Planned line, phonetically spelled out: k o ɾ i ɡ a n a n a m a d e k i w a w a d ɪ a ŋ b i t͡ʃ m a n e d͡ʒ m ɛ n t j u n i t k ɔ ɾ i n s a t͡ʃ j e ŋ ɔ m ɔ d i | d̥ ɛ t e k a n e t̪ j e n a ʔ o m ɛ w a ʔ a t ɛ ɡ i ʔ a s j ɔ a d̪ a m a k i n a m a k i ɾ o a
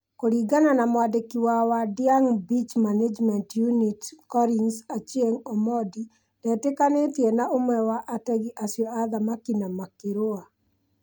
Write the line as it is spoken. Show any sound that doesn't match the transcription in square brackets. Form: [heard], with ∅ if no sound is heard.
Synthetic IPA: k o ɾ i ɡ a n a n a m a d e k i w a w a d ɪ a ŋ b i t͡ʃ m a n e d͡ʒ m ɛ n t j u n i t k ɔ ɾ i n s a t͡ʃ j e ŋ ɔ m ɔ d i | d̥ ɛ t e k a n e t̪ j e n a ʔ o m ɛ w a ʔ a t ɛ ɡ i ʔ a s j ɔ a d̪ a m a k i n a m a k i ɾ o a